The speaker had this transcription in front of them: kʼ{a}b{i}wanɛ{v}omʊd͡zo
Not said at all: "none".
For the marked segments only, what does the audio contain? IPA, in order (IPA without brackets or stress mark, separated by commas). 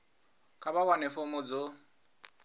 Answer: a, a, f